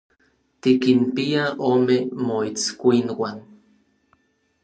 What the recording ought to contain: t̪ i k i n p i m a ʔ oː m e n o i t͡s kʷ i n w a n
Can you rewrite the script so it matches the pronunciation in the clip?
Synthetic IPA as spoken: t̪ i k i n p i a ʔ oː m e m o i t͡s kʷ i n w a n